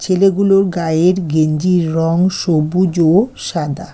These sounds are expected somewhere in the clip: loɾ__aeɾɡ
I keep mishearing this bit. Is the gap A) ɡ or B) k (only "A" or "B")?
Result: A